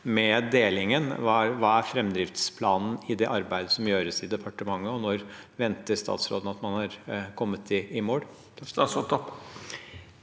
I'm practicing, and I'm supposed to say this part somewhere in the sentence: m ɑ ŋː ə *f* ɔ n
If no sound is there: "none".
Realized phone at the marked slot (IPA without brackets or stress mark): none